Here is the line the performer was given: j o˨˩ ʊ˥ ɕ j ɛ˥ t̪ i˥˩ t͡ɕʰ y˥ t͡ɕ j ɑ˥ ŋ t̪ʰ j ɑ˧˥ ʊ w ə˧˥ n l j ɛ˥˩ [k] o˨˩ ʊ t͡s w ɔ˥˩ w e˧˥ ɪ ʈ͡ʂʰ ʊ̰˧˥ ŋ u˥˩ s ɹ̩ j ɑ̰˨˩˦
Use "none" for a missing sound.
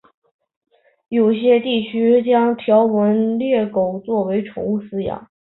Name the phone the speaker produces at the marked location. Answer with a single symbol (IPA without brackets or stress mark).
k